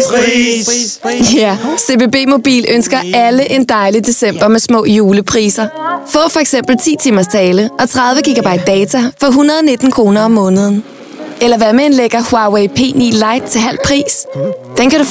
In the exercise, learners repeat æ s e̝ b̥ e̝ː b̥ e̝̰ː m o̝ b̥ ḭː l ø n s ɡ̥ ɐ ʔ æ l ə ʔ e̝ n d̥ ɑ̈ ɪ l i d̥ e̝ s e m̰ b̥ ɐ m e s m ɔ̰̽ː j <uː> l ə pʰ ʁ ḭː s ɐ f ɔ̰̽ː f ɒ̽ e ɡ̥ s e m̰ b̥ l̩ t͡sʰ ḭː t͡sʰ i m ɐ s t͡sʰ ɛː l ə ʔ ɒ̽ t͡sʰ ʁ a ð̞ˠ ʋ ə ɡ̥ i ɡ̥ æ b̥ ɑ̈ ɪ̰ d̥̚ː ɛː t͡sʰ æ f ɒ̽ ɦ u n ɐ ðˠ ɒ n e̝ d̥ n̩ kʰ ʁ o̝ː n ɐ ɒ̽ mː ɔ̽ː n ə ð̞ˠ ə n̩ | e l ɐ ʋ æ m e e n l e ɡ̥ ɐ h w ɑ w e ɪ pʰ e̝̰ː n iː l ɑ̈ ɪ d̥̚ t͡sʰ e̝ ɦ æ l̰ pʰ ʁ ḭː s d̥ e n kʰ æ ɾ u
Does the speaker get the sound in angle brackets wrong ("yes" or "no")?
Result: no